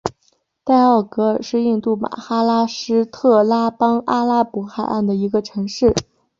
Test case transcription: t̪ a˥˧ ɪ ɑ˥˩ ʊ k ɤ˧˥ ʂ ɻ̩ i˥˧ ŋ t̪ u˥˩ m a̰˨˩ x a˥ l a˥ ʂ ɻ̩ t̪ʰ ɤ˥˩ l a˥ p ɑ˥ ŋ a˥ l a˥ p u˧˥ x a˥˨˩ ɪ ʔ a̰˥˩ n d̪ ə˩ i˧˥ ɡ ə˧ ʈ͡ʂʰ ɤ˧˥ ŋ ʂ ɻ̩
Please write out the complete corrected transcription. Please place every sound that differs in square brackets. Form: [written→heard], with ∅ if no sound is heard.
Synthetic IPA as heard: t̪ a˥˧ ɪ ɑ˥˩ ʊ k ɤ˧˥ ʂ ɻ̩ i˥˧ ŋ t̪ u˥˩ m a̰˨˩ x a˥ l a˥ ʂ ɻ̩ t̪ʰ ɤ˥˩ l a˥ p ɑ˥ ŋ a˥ l a˥ p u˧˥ x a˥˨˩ ɪ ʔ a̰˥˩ n d̪ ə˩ i˧˥ ɡ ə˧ ʈ͡ʂʰ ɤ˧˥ ŋ ʂ ɻ̩